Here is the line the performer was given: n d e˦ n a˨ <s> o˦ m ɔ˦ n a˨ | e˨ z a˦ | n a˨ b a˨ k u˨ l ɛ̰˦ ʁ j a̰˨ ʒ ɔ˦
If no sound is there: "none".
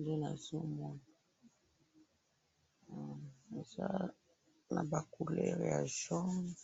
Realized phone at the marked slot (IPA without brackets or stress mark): z